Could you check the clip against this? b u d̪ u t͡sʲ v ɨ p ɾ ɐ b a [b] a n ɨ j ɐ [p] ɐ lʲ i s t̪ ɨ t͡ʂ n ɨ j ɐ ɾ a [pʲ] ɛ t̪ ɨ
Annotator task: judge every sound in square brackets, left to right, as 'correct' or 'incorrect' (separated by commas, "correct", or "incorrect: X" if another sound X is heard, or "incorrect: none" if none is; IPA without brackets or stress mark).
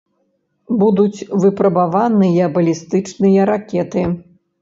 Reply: incorrect: v, incorrect: b, incorrect: kʲ